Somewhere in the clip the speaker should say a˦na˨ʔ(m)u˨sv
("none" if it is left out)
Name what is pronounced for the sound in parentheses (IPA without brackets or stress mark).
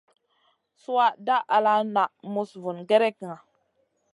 m